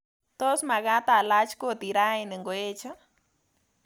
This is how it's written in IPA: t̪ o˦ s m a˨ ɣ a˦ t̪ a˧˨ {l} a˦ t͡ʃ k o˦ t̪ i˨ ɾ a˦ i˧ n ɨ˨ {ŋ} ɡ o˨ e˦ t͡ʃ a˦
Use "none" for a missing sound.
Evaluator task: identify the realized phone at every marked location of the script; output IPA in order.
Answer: l, ŋ

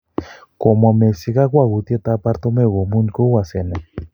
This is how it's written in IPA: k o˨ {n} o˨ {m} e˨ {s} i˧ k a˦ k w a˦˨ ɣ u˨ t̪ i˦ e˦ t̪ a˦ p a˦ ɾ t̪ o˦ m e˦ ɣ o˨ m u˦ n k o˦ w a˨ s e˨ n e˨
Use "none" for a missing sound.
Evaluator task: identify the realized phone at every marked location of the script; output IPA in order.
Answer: m, m, s

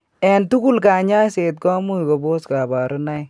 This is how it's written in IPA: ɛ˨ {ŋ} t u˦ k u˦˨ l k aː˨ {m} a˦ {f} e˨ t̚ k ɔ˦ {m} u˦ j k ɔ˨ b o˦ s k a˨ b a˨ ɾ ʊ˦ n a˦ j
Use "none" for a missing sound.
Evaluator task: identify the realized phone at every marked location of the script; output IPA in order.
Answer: n, ɲ, s, m

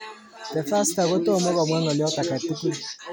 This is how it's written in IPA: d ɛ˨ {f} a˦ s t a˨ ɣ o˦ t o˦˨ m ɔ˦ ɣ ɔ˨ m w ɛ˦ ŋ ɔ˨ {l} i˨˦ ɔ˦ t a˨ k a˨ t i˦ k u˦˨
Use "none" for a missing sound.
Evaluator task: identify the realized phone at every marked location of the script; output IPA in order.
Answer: f, l

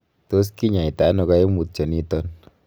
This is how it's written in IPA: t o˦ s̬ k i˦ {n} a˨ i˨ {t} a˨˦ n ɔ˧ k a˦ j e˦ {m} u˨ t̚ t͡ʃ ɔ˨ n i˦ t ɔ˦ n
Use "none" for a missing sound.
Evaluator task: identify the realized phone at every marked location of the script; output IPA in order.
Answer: ɲ, t, m

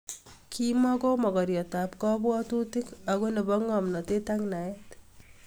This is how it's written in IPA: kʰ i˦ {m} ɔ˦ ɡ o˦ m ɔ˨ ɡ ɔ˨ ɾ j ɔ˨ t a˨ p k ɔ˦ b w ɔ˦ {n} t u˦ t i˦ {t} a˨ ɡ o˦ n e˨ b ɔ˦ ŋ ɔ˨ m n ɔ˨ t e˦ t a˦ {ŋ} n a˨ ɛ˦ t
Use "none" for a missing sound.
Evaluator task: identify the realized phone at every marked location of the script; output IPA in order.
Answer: m, none, k, ŋ

